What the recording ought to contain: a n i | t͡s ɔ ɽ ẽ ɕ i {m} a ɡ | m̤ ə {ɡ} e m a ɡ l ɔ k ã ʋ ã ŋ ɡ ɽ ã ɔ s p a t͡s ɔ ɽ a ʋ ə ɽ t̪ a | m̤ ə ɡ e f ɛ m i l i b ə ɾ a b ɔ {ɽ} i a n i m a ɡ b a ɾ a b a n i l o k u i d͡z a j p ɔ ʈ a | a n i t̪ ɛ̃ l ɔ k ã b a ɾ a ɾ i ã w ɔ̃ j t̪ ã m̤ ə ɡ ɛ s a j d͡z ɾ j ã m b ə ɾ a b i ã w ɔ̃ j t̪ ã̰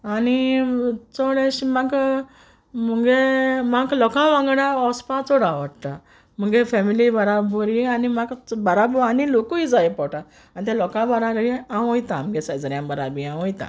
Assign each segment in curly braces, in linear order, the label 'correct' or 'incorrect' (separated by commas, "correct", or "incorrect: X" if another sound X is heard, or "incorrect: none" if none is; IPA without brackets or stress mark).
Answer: correct, correct, incorrect: ɾ